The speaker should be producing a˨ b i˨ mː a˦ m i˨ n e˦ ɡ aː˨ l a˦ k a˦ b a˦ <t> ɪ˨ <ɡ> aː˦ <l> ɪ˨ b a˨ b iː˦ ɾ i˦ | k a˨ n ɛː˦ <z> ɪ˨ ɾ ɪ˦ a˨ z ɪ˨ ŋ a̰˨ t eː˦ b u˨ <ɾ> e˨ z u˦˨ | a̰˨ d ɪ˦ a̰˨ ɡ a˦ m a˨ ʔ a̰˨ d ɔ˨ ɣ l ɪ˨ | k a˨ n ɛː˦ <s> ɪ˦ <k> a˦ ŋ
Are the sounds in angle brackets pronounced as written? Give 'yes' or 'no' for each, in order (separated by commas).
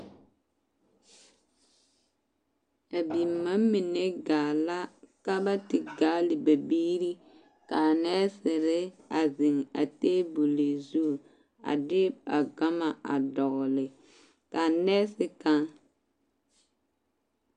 yes, yes, yes, no, no, yes, yes